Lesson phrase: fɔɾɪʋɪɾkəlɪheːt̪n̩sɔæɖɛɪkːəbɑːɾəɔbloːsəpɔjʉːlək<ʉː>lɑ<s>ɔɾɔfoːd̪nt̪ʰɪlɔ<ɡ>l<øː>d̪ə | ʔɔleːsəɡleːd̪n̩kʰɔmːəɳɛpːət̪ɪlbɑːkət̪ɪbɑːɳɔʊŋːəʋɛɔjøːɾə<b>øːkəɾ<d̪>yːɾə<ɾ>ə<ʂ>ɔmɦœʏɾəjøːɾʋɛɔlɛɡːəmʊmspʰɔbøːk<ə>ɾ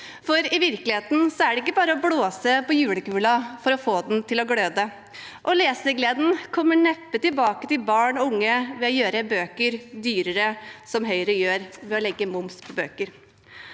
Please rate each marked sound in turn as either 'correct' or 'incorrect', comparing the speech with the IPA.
correct, incorrect, correct, correct, correct, correct, correct, incorrect, correct

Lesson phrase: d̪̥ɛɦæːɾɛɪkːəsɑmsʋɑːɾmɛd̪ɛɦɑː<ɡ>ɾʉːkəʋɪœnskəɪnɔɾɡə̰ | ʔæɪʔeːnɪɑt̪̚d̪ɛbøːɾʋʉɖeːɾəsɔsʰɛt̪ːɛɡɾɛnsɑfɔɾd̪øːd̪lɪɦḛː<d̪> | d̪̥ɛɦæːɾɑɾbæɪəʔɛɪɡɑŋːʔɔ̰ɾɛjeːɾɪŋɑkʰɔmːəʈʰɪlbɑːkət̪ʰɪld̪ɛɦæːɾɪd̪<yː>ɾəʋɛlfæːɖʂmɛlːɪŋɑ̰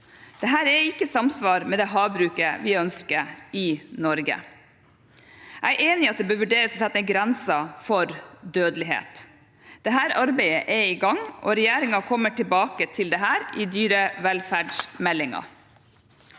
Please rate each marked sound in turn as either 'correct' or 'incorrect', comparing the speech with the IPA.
incorrect, incorrect, correct

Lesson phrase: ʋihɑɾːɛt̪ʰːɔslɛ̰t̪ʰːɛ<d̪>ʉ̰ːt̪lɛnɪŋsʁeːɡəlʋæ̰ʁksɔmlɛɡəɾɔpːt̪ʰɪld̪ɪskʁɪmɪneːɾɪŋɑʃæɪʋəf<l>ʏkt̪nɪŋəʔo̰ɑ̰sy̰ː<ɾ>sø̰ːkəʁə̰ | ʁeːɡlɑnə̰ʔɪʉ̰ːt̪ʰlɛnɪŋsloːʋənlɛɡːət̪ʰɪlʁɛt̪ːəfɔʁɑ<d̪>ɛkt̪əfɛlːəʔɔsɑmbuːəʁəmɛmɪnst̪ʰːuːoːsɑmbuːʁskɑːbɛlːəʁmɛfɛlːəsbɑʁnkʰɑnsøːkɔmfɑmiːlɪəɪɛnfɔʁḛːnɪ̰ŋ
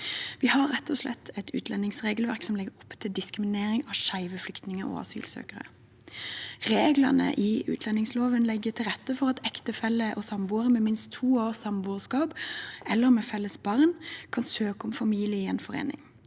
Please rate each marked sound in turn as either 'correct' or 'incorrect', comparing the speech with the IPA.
incorrect, correct, incorrect, incorrect

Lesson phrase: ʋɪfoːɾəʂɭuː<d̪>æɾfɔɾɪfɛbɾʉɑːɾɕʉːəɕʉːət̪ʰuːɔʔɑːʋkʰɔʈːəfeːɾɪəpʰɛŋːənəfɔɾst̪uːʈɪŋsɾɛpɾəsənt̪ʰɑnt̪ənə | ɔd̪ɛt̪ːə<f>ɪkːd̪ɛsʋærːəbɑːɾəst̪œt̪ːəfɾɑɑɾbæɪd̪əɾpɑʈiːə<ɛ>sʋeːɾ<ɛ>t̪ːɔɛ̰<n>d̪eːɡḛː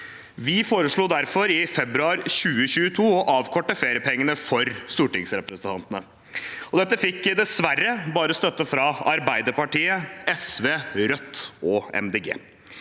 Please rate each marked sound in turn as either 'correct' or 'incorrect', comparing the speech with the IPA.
correct, correct, correct, incorrect, incorrect

